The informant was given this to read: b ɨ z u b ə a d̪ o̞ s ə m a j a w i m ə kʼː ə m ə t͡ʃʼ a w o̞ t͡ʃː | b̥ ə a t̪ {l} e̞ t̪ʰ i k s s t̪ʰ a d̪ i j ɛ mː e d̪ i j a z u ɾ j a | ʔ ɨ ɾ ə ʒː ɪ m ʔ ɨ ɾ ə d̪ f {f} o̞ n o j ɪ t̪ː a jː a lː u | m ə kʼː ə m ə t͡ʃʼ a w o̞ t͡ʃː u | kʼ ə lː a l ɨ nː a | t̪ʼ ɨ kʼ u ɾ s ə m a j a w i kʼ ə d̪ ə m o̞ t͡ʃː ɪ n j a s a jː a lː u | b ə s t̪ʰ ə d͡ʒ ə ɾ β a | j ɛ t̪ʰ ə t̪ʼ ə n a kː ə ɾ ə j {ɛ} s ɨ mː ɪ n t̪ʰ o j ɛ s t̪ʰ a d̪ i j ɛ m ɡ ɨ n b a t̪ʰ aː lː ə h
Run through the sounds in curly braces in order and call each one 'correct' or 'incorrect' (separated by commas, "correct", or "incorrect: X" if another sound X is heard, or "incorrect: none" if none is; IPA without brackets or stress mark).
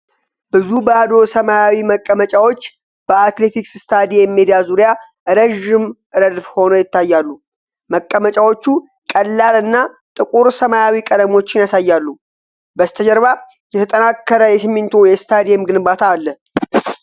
correct, incorrect: h, correct